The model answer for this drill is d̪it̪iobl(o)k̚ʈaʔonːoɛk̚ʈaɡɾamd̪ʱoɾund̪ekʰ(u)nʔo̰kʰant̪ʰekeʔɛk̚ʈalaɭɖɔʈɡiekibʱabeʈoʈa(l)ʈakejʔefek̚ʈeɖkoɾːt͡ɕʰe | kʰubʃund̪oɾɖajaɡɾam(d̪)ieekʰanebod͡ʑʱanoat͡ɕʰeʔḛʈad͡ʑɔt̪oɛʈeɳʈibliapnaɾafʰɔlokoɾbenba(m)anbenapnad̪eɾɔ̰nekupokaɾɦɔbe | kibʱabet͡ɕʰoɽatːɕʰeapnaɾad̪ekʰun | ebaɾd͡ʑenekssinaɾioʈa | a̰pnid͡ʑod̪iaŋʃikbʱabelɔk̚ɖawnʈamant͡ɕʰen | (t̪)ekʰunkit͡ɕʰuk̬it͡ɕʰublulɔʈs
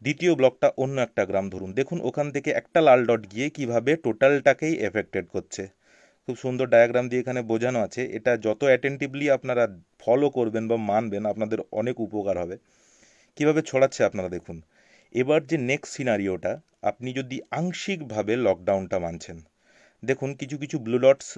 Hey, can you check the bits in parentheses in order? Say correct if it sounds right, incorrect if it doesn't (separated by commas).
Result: incorrect, correct, correct, correct, correct, incorrect